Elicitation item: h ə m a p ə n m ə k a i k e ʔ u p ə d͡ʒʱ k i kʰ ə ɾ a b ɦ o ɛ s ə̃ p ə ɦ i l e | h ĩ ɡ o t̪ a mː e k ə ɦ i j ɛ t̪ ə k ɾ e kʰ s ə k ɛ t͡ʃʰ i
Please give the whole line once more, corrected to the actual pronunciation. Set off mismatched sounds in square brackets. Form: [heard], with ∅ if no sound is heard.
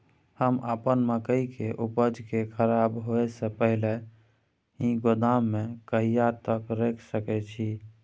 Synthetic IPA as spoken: h ə m a p ə n m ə k [ə] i k e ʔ u p ə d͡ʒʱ k [e] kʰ ə ɾ a b ɦ o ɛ s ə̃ p ə ɦ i l e | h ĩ ɡ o [d̪] a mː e k ə ɦ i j [a] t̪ ə k ɾ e kʰ s ə k ɛ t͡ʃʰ i

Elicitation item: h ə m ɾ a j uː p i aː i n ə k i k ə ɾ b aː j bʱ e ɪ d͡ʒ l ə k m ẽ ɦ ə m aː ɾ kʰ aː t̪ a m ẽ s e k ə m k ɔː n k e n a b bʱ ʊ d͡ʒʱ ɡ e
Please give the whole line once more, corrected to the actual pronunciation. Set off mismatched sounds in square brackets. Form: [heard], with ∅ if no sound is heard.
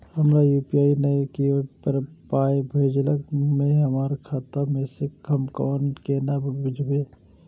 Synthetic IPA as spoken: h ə m ɾ a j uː p i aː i n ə k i [p] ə ɾ [p] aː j bʱ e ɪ d͡ʒ l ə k m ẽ ɦ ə m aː ɾ kʰ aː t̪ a m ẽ s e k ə m k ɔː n k e n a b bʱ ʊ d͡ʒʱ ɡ e

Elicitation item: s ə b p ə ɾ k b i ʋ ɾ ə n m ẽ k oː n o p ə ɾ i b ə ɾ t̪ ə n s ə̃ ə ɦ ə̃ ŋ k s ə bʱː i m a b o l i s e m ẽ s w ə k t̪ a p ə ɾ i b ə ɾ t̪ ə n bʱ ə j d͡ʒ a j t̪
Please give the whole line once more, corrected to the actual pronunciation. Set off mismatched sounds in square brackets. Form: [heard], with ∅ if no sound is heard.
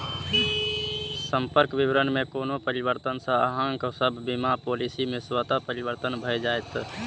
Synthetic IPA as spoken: s ə [m] p ə ɾ k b i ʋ ɾ ə n m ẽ k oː n o p ə ɾ i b ə ɾ t̪ ə n s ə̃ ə ɦ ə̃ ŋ k s ə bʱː i m a [p] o l i s [i] m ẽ s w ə [∅] t̪ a p ə ɾ i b ə ɾ t̪ ə n bʱ ə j d͡ʒ a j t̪

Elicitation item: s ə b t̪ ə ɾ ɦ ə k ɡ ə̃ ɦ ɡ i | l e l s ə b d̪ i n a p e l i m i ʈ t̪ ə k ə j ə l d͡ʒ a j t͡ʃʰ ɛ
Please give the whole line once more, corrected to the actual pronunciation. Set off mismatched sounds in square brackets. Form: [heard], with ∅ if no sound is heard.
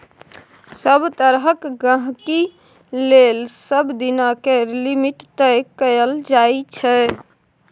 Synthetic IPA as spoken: s ə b t̪ ə ɾ ɦ ə k ɡ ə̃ ɦ [k] i | l e l s ə b d̪ i n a [k] e l i m i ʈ t̪ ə k ə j ə l d͡ʒ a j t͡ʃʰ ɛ

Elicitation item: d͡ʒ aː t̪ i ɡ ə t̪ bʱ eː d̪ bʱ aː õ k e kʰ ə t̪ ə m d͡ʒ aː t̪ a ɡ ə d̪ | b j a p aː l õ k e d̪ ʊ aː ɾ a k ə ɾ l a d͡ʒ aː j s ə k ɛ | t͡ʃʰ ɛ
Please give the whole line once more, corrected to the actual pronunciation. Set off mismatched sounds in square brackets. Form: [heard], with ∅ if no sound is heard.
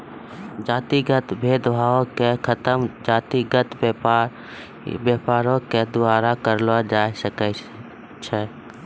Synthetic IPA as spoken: d͡ʒ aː t̪ i ɡ ə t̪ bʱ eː d̪ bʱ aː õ k e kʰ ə t̪ ə m d͡ʒ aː t̪ [i] ɡ ə [t̪] | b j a p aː [ɾ] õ k e d̪ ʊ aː ɾ a k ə ɾ l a d͡ʒ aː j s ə k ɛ | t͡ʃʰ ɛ

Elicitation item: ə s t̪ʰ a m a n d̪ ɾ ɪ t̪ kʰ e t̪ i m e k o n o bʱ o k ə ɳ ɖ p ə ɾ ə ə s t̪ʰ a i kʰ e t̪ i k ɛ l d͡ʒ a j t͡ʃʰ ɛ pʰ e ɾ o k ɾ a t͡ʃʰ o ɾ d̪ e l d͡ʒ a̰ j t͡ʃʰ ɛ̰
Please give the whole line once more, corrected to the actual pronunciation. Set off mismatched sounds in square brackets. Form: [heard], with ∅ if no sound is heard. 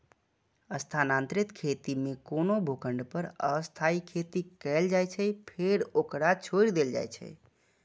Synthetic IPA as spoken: ə s t̪ʰ a [n] a n [t̪] ɾ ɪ t̪ kʰ e t̪ i m e k o n o bʱ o k ə ɳ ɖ p ə ɾ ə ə s t̪ʰ a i kʰ e t̪ i k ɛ l d͡ʒ a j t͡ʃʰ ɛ pʰ e ɾ o k ɾ a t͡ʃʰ o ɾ d̪ e l d͡ʒ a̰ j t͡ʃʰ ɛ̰

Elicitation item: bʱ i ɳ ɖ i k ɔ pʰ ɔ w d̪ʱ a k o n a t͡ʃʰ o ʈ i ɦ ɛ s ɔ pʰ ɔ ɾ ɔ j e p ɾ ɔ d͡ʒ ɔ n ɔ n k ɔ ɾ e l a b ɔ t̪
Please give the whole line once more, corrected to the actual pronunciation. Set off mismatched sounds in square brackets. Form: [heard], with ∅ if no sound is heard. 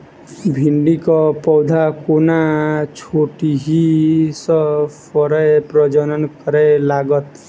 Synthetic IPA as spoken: bʱ i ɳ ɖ i k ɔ [p] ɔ w d̪ʱ a k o n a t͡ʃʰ o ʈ i ɦ [i] s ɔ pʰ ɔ ɾ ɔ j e p ɾ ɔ d͡ʒ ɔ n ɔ n k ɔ ɾ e l a [ɡ] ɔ t̪

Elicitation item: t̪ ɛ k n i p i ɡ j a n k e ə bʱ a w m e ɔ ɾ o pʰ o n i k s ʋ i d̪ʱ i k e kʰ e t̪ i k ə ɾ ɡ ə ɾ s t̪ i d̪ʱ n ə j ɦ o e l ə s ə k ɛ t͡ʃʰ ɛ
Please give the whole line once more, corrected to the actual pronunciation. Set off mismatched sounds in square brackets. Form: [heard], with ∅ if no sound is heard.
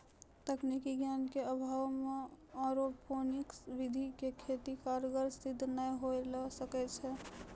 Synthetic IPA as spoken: t̪ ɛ k n i [k] i ɡ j a n k e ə bʱ a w m e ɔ ɾ o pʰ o n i k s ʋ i d̪ʱ i k e kʰ e t̪ i k [a] ɾ ɡ ə ɾ s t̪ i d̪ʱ n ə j ɦ o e l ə s ə k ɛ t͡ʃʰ ɛ

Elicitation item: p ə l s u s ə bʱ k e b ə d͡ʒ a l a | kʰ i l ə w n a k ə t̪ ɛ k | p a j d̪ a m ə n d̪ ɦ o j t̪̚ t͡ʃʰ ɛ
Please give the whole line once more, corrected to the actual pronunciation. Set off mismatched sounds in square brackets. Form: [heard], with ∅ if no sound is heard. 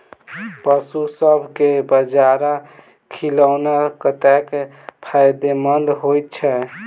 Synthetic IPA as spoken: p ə [∅] s u s ə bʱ k e b ə d͡ʒ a [ɾ] a | kʰ i l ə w n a k ə t̪ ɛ k | [pʰ] a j d̪ [e] m ə n d̪ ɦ o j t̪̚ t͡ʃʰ ɛ

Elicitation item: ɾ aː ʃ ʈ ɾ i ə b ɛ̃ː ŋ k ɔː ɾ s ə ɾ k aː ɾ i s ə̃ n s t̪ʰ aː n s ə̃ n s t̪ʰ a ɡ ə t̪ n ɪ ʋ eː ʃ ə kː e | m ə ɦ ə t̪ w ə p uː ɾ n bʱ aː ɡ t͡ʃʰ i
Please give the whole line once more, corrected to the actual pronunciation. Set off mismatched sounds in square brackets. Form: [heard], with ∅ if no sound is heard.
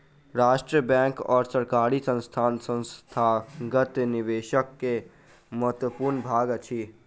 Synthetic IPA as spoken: ɾ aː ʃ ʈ ɾ i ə b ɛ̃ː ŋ k ɔː ɾ s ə ɾ k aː ɾ i s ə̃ n s t̪ʰ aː n s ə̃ n s t̪ʰ a ɡ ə t̪ n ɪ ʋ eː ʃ ə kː e | m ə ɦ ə t̪ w ə p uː ɾ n bʱ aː ɡ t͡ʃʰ i

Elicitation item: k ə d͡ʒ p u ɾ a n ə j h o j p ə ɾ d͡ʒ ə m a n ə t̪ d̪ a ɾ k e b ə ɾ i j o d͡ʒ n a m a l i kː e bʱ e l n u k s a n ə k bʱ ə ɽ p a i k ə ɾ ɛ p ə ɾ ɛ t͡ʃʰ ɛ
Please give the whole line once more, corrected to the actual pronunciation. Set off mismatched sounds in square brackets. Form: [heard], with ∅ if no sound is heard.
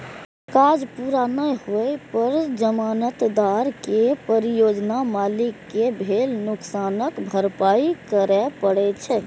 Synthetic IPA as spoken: k [a] d͡ʒ p u ɾ a n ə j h o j p ə ɾ d͡ʒ ə m a n ə t̪ d̪ a ɾ k e [p] ə ɾ i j o d͡ʒ n a m a l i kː e bʱ e l n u k s a n ə k bʱ ə [ɾ] p a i k ə ɾ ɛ p ə [ɽ] ɛ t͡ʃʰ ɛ

